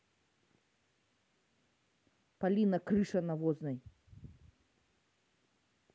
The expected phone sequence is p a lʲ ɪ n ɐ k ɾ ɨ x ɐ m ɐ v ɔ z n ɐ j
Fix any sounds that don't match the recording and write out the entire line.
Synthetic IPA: p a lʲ i n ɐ k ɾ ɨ ʂ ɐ n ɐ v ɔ z n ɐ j